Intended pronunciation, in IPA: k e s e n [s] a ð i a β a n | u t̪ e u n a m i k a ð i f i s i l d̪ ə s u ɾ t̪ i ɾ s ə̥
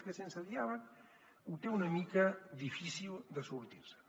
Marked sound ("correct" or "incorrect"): correct